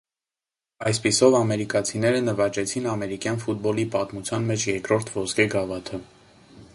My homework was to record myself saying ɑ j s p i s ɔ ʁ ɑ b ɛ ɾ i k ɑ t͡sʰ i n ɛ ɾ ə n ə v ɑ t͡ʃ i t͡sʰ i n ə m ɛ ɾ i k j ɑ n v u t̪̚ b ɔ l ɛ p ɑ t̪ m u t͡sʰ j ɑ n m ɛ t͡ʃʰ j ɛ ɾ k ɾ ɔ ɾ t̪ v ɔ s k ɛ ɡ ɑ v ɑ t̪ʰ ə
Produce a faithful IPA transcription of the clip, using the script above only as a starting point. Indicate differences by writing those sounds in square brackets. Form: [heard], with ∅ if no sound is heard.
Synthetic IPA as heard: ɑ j s p i s ɔ [v] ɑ [m] ɛ ɾ i k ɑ t͡sʰ i n ɛ ɾ ə n ə v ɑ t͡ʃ [ɛ] t͡sʰ i n [ɑ] m ɛ ɾ i k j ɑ n [f] u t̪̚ b ɔ l [i] p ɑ t̪ m u t͡sʰ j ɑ n m ɛ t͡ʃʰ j ɛ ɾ k ɾ ɔ ɾ [t̪ʰ] v ɔ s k ɛ ɡ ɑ v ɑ t̪ʰ ə